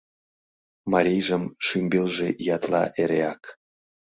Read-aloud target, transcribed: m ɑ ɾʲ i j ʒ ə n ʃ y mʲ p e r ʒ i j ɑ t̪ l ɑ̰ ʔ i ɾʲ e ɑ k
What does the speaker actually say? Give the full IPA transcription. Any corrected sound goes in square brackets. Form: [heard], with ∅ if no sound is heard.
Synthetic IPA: m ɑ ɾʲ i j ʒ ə [m] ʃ y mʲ [b] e [l] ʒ [e] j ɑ t̪ l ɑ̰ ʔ [e] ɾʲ e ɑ k